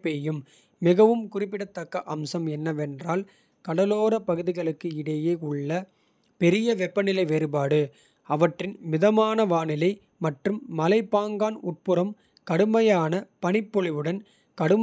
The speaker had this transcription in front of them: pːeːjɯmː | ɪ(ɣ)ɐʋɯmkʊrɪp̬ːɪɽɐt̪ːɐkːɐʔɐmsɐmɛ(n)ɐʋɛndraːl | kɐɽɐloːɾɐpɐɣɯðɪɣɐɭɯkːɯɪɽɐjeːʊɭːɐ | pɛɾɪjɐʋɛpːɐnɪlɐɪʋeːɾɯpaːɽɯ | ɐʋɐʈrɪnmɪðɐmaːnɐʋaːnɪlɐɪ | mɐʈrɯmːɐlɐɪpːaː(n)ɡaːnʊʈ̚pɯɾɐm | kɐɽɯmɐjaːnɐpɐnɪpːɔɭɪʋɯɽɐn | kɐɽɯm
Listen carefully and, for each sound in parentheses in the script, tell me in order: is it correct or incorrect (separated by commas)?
correct, incorrect, incorrect